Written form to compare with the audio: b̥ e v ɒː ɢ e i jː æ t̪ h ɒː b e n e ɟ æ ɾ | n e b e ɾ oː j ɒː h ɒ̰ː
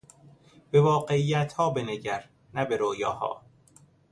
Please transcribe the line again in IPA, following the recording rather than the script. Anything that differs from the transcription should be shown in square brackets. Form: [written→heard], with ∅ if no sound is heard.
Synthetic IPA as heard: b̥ e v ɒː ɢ e i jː æ t̪ h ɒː b e n e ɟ æ ɾ | n [e→æ] b e ɾ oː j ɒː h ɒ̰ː